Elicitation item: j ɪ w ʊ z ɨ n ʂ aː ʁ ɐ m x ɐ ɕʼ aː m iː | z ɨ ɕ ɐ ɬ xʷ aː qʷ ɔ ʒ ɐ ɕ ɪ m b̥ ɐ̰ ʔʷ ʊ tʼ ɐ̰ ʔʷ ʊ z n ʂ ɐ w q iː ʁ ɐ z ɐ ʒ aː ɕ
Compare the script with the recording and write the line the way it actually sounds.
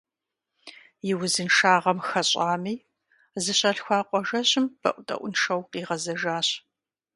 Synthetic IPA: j ɪ w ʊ z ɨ n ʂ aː ʁ ɐ m x ɐ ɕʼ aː m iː | z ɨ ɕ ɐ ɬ xʷ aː qʷ ɔ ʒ ɐ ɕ ɪ m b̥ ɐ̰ ʔʷ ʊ tʼ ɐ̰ ʔʷ ʊ n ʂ ɐ w q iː ʁ ɐ z ɐ ʒ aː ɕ

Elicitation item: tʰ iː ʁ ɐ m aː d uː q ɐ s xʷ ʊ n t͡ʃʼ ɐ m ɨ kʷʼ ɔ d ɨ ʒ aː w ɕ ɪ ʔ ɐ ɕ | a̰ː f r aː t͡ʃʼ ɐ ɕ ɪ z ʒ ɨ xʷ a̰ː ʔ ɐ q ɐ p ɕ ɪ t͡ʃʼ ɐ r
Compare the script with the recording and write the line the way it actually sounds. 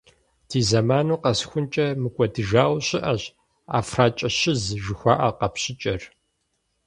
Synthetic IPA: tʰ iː z ɐ m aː n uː q ɐ s xʷ ʊ n t͡ʃʼ ɐ m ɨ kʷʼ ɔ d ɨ ʒ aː w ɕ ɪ ʔ ɐ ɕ | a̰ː f r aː t͡ʃʼ ɐ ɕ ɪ z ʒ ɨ xʷ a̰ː ʔ ɐ q ɐ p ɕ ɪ t͡ʃʼ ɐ r

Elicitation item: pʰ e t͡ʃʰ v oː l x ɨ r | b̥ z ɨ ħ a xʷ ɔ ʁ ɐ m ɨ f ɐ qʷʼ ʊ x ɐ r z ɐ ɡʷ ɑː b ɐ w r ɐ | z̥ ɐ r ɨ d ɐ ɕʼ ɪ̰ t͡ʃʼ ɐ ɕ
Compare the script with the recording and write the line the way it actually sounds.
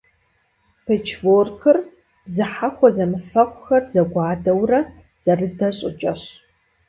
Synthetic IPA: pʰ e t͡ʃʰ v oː r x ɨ r | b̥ z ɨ ħ a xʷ ɔ z ɐ m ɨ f ɐ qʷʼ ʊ x ɐ r z ɐ ɡʷ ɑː d ɐ w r ɐ | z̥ ɐ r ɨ d ɐ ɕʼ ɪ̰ t͡ʃʼ ɐ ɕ

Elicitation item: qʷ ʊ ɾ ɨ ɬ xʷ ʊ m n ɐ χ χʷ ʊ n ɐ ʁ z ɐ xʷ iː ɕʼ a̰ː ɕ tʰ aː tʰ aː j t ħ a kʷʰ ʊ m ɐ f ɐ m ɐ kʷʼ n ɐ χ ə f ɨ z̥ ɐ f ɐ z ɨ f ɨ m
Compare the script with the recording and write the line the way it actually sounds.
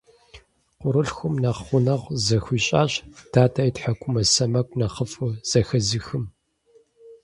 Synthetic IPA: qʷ ʊ ɾ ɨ ɬ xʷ ʊ m n ɐ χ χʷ ʊ n ɐ ʁ z ɐ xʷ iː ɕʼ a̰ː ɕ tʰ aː tʰ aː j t ħ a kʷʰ ʊ m ɐ s ɐ m ɐ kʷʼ n ɐ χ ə f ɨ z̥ ɐ x ɐ z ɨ x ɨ m

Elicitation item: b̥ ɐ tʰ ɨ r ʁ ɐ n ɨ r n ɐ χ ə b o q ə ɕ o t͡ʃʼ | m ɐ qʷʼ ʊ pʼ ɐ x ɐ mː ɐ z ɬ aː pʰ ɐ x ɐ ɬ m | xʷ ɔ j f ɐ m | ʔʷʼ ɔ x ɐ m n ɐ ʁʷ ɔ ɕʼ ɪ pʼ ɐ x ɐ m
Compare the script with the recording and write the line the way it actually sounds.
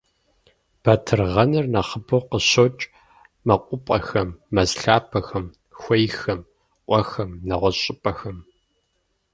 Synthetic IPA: b̥ ɐ tʰ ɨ r ʁ ɐ n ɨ r n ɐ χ ə b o q ə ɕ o t͡ʃʼ | m ɐ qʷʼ ʊ pʼ ɐ x ɐ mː ɐ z ɬ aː pʰ ɐ x ɐ m | xʷ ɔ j x ɐ m | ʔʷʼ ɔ x ɐ m n ɐ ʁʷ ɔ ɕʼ ɪ pʼ ɐ x ɐ m

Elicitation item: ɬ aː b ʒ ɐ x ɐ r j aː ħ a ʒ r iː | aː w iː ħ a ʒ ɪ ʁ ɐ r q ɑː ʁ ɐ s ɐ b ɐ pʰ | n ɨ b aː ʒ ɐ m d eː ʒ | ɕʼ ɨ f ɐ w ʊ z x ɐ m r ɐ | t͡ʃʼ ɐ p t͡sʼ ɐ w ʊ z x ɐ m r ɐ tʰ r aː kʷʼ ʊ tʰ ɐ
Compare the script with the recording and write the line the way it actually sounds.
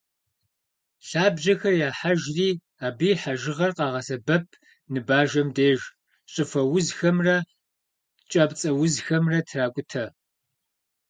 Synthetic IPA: ɬ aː b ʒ ɐ x ɐ r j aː ħ a ʒ r iː | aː b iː ħ a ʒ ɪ ʁ ɐ r q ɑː ʁ ɐ s ɐ b ɐ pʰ | n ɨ b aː ʒ ɐ m d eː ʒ | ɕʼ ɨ f ɐ w ʊ z x ɐ m r ɐ | t͡ʃʼ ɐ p t͡sʼ ɐ w ʊ z x ɐ m r ɐ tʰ r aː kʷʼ ʊ tʰ ɐ

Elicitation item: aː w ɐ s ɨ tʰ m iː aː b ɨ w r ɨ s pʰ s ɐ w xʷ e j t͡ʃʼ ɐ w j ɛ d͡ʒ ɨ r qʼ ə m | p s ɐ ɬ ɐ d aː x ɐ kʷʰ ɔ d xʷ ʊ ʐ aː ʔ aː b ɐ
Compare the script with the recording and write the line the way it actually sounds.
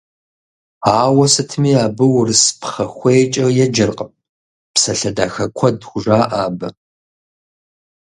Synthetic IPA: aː w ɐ s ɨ tʰ m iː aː b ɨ w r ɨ s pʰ χ ɐ xʷ e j t͡ʃʼ ɐ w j ɛ d͡ʒ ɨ r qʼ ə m | p s ɐ ɬ ɐ d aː x ɐ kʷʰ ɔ d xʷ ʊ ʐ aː ʔ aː b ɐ

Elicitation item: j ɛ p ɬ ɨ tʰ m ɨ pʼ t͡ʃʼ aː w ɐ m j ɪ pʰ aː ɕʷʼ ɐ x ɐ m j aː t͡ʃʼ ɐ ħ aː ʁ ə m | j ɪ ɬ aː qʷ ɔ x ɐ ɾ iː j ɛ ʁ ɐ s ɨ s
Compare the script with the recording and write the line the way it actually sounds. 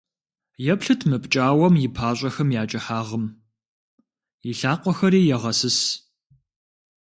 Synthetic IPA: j ɛ p ɬ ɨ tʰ m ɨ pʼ t͡ʃʼ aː w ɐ m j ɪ pʰ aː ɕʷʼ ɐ x ɐ m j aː t͡ʃʼ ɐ ħ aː ʁ ə m | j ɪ ɬ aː qʷ ɔ x ɐ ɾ iː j ɛ ʁ ɐ s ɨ s

